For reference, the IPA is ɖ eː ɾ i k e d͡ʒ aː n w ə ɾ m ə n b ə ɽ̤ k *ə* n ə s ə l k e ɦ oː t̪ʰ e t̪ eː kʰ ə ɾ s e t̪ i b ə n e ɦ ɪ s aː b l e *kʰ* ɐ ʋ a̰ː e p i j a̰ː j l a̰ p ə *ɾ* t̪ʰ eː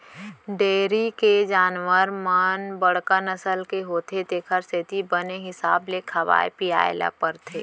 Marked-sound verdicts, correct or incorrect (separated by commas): correct, correct, correct